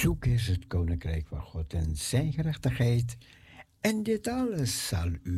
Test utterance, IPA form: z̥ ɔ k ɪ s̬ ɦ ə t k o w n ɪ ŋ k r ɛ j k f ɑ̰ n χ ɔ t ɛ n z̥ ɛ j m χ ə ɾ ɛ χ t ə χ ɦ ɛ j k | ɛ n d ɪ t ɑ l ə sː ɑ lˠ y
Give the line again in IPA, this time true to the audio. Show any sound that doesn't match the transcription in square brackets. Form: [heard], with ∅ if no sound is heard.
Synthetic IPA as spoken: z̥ [u] k ɪ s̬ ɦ ə t k o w n ɪ ŋ k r ɛ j k f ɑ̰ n χ ɔ t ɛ n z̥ ɛ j [n] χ ə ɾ ɛ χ t ə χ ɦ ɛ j [t] | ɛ n d ɪ t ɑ l ə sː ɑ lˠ y